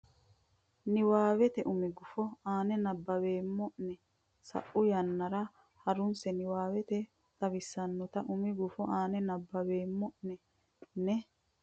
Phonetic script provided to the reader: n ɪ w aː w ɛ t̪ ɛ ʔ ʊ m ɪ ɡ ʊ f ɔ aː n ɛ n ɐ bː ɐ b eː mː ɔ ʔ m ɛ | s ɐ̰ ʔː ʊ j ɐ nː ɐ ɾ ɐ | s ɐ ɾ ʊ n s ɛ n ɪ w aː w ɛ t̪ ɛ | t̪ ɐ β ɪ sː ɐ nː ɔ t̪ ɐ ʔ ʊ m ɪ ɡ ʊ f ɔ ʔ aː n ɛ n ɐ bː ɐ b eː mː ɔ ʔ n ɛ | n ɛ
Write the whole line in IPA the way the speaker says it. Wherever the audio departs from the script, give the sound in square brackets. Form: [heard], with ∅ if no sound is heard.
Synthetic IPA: n ɪ w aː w ɛ t̪ ɛ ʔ ʊ m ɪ ɡ ʊ f ɔ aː n ɛ n ɐ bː ɐ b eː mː ɔ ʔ [n] ɛ | s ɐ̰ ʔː ʊ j ɐ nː ɐ ɾ ɐ | [h] ɐ ɾ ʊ n s ɛ n ɪ w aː w ɛ t̪ ɛ | t̪ ɐ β ɪ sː ɐ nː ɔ t̪ ɐ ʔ ʊ m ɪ ɡ ʊ f ɔ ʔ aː n ɛ n ɐ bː ɐ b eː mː ɔ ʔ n ɛ | n ɛ